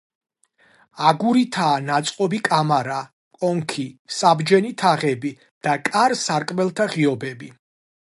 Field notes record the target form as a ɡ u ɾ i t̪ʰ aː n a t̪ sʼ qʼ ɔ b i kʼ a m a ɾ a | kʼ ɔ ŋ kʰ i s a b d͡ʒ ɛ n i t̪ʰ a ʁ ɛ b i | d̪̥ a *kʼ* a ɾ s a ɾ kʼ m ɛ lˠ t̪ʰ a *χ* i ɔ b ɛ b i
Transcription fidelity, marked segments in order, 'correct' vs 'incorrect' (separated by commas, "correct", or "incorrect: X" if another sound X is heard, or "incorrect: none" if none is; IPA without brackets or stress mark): correct, incorrect: ʁ